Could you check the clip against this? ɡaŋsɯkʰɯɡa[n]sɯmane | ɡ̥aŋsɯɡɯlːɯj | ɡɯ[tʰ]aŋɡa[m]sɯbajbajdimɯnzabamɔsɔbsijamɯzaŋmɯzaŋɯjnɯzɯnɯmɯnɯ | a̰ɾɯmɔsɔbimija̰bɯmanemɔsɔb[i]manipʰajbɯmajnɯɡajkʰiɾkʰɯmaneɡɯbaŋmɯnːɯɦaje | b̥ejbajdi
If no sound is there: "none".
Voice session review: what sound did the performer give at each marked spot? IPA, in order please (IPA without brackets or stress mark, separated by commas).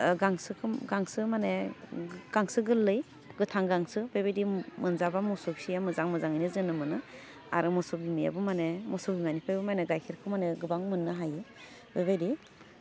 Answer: ŋ, tʰ, ŋ, i